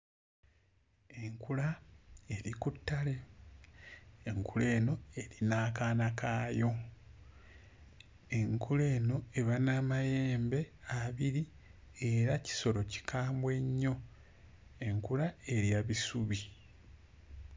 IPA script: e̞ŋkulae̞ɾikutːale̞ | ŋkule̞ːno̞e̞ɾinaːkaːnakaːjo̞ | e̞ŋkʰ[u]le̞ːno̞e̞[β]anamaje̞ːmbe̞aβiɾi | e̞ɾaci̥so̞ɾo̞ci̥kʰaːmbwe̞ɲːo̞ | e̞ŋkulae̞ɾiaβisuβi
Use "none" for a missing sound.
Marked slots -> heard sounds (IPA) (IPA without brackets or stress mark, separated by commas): u, β